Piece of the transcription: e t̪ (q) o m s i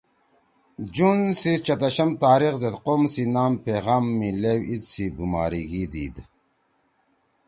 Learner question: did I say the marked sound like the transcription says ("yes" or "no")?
yes